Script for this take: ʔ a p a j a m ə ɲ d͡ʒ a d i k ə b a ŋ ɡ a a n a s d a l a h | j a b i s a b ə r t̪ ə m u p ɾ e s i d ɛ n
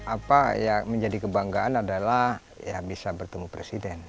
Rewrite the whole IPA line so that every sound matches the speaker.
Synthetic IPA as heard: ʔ a p a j a m ə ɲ d͡ʒ a d i k ə b a ŋ ɡ a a n a d a l a h | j a b i s a b ə r t̪ ə m u p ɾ e s i d ɛ n

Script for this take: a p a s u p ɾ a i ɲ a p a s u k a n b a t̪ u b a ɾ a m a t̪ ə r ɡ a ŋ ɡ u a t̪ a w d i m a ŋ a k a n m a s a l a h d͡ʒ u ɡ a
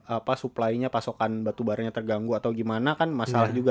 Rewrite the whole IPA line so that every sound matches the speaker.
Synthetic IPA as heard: a p a s u p l a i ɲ a p a s o k a n b a t̪ u b a ɾ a ɲ a t̪ ə r ɡ a ŋ ɡ u a t̪ a w ɡ i m a n a k a n m a s a l a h d͡ʒ u ɡ a

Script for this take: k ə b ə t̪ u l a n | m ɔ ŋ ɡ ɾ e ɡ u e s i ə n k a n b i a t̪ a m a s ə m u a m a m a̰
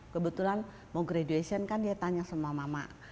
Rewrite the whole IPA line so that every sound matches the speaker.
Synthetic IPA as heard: k ə b ə t̪ u l a n | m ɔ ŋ ɡ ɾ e d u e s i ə n k a n d i a t̪ a ɲ a s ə m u a m a m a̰

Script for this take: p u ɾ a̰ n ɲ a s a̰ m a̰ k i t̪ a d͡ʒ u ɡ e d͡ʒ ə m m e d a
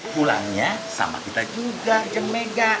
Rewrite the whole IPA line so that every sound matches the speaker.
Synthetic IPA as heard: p u l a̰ ŋ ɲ a s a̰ m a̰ k i t̪ a d͡ʒ u ɡ a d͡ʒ ə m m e ɡ a

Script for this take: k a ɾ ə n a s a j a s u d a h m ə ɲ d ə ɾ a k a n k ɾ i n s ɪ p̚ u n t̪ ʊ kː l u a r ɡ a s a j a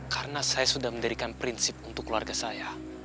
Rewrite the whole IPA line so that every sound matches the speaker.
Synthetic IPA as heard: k a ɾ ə n a s a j a s u d a h m ə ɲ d ə ɾ i k a n p ɾ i n s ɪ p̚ u n t̪ ʊ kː l u a r ɡ a s a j a

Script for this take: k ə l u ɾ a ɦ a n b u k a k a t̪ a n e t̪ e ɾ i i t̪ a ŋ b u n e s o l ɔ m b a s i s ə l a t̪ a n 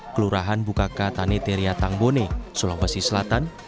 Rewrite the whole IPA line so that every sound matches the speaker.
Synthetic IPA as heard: k ə l u ɾ a ɦ a n b u k a k a t̪ a n e t̪ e ɾ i a t̪ a ŋ b o n e s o l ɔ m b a s i s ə l a t̪ a n

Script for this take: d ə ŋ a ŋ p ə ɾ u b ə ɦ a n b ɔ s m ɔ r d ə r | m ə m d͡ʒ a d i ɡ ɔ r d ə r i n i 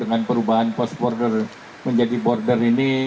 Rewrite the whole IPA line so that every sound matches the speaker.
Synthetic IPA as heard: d ə ŋ a n p ə ɾ u b a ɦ a n p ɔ s b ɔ r d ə r | m ə ɲ d͡ʒ a d i b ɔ r d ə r i n i

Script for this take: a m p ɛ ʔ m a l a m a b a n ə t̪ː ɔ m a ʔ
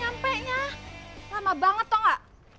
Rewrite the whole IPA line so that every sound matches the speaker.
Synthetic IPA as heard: a m p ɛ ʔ ɲ a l a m a b a ŋ ə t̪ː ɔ ŋ a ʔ

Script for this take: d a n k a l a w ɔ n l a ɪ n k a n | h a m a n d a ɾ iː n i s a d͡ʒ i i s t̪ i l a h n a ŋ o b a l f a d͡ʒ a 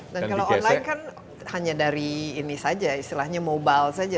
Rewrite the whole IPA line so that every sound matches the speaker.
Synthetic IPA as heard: d a n k a l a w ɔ n l a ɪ n k a n | h a ɲ a d a ɾ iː n i s a d͡ʒ a i s t̪ i l a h ɲ a m o b a l s a d͡ʒ a

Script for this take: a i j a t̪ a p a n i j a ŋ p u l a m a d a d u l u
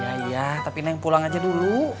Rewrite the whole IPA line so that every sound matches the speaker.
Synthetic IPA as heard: a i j a t̪ a p i n a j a ŋ p u l a ŋ a d͡ʒ a d u l u

